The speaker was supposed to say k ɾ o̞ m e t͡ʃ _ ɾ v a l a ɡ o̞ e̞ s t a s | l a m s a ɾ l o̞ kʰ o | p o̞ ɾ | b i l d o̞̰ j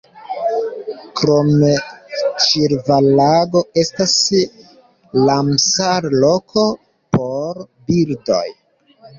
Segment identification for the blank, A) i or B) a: A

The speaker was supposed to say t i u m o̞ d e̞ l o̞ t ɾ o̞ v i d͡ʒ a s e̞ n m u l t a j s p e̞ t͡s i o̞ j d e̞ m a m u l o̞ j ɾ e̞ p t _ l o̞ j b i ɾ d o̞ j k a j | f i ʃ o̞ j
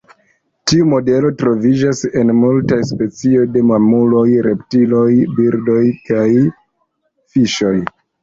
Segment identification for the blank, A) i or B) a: A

